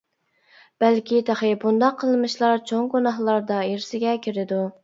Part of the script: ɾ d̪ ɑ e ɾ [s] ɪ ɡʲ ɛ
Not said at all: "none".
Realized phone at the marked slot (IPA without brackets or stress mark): s